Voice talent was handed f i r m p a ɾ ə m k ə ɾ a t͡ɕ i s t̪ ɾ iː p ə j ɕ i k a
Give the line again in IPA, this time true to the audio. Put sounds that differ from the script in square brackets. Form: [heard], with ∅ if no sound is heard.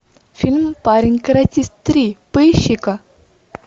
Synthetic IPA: f i [l] m p a ɾ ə [ŋ] k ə ɾ a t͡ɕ i s t̪ ɾ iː p ə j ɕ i k a